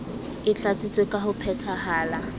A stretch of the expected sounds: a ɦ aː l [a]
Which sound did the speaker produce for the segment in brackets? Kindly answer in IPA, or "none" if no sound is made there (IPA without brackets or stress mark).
a